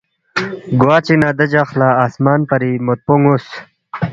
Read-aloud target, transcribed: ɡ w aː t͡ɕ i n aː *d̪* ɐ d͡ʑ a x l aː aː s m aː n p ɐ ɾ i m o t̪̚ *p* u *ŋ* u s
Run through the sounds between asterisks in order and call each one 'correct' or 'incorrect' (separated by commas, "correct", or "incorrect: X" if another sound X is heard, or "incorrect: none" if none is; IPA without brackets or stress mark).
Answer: correct, correct, correct